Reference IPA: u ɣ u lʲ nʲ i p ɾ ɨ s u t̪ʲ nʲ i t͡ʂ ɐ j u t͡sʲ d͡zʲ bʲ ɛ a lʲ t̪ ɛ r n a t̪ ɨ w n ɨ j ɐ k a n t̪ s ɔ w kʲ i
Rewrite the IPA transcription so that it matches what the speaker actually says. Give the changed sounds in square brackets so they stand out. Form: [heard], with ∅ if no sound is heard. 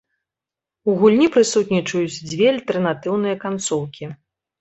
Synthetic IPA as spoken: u ɣ u lʲ nʲ i p ɾ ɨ s u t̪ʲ nʲ i t͡ʂ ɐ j u t͡sʲ d͡zʲ [vʲ] ɛ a lʲ t̪ ɛ r n a t̪ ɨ w n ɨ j ɐ k a n t̪ s ɔ w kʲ i